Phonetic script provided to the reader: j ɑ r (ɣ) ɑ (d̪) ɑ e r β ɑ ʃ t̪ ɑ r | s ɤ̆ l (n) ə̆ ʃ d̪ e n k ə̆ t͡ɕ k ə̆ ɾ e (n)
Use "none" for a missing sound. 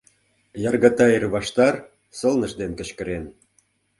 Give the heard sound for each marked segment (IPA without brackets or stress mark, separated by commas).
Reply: ɣ, t̪, n, n